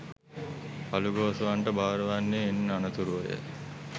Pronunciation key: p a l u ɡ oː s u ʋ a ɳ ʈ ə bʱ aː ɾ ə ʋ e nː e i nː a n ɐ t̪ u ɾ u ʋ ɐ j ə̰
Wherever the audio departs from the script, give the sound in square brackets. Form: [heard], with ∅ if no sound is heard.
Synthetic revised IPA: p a l u ɡ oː s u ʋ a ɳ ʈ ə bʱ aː ɾ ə ʋ [a] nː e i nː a n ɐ t̪ u ɾ u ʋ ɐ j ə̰